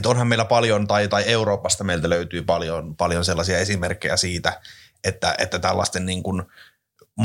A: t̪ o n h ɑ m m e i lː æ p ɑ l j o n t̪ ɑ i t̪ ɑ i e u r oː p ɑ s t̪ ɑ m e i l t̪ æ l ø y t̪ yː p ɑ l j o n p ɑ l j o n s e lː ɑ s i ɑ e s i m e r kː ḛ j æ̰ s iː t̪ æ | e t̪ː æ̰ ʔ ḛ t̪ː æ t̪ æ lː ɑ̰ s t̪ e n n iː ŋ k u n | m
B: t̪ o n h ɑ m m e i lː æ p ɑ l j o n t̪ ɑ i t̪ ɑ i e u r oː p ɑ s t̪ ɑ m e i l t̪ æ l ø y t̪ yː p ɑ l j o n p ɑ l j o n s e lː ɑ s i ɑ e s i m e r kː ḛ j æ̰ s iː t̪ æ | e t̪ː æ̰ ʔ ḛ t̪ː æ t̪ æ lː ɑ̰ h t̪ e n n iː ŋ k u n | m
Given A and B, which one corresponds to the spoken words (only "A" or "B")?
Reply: A